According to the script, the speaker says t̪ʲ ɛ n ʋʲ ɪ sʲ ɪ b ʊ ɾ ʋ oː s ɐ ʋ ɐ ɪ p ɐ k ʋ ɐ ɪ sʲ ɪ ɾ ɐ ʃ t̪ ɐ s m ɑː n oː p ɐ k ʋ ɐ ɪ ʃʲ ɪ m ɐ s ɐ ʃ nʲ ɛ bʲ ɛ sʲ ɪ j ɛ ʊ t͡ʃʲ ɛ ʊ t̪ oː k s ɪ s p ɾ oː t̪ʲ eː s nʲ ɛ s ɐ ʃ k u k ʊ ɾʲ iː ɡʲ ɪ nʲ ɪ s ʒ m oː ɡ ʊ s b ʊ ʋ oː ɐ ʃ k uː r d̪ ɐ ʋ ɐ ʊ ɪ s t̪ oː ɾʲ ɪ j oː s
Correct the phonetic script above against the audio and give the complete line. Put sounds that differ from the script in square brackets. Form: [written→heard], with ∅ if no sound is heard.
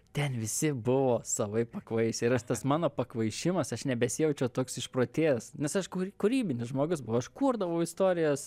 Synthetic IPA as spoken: t̪ʲ ɛ n ʋʲ ɪ sʲ ɪ b ʊ [ɾ→∅] ʋ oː s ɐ ʋ ɐ ɪ p ɐ k ʋ ɐ ɪ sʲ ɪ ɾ ɐ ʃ t̪ ɐ s m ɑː n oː p ɐ k ʋ ɐ ɪ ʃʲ ɪ m ɐ s ɐ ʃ nʲ ɛ bʲ ɛ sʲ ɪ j ɛ ʊ t͡ʃʲ ɛ ʊ t̪ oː k s ɪ [s→ʃ] p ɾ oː t̪ʲ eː s nʲ ɛ s ɐ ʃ k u k ʊ ɾʲ iː [ɡʲ→bʲ] ɪ nʲ ɪ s ʒ m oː ɡ ʊ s b ʊ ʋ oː ɐ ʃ k uː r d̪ ɐ ʋ ɐ ʊ ɪ s t̪ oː ɾʲ ɪ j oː s